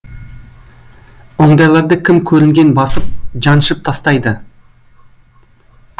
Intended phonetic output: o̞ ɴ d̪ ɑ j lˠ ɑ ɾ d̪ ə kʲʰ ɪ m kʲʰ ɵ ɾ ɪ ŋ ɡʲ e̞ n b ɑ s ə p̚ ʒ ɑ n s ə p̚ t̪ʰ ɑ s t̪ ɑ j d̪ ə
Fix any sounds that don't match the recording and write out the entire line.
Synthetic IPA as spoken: o̞ ɴ d̪ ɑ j lˠ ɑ ɾ d̪ ə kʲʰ ɪ m kʲʰ ɵ ɾ ɪ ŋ ɡʲ e̞ n b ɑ s ə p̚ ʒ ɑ n ʃ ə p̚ t̪ʰ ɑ s t̪ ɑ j d̪ ə